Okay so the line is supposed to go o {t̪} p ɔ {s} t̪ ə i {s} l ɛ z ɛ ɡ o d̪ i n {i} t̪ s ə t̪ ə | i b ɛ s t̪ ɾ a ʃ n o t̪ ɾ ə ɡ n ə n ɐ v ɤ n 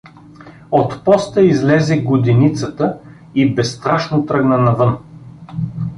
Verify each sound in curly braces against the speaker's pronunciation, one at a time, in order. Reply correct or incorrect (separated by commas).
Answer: correct, correct, incorrect, correct